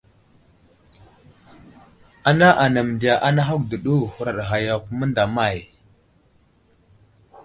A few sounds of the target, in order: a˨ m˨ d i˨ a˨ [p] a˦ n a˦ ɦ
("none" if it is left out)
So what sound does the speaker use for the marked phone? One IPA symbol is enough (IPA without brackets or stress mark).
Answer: ʔ